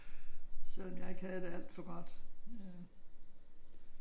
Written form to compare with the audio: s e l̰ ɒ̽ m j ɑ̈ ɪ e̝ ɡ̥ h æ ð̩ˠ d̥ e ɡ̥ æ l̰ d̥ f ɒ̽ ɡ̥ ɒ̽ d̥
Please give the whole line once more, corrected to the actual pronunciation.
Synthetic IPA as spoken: s e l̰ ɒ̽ m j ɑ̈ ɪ e̝ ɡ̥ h æ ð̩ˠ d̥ e æ l̰ d̥ f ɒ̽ ɡ̥ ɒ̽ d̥